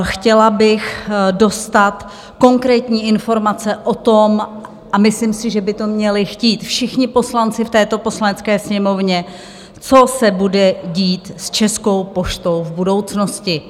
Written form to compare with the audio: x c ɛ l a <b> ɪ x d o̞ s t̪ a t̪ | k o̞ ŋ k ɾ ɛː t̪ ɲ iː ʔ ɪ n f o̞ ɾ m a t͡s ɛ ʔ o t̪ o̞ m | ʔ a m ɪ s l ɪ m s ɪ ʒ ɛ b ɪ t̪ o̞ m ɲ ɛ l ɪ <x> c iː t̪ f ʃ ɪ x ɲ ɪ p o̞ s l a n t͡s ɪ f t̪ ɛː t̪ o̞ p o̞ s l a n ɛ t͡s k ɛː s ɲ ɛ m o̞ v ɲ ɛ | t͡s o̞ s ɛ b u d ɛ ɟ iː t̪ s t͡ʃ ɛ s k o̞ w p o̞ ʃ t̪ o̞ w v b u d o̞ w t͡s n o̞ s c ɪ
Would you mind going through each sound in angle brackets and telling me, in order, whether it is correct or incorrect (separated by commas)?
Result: correct, correct